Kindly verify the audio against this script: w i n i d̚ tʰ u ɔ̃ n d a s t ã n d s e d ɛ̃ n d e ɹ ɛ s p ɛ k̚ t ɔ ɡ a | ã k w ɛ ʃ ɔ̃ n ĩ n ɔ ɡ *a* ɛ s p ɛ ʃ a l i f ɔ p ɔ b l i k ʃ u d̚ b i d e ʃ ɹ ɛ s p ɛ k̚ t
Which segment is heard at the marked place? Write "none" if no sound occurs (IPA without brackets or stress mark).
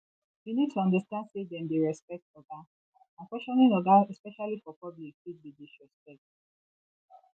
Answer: a